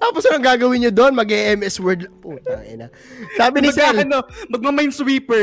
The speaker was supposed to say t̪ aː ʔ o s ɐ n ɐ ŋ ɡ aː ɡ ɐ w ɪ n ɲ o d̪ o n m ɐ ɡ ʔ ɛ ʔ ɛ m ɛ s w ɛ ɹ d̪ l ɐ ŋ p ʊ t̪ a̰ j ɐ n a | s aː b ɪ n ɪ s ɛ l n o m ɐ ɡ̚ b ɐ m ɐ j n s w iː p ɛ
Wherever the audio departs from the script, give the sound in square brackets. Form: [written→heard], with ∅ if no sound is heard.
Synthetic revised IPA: t̪ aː [ʔ→p] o s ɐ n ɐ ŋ ɡ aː ɡ ɐ w ɪ n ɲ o d̪ o n m ɐ ɡ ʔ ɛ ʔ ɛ m ɛ s w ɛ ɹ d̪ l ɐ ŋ p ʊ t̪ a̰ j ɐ n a | s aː b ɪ n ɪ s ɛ l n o m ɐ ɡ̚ [b→m] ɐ m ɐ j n s w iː p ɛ